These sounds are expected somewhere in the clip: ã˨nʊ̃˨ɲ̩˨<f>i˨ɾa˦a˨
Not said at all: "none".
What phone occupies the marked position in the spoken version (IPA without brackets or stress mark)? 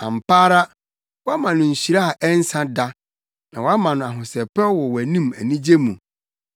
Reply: ɕ